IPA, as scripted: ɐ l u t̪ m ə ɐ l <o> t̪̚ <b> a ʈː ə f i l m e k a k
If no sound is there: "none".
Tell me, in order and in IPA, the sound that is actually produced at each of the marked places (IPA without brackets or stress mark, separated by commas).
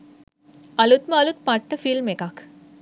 u, p